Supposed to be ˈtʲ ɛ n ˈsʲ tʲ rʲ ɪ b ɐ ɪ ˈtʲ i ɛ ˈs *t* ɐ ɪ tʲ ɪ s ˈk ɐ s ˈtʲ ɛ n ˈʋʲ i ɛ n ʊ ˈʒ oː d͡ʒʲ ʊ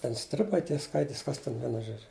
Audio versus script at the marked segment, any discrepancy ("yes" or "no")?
yes